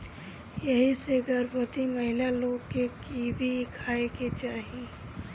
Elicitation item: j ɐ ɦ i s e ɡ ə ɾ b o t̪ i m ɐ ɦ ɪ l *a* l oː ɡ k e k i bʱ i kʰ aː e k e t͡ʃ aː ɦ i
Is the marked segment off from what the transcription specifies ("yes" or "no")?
no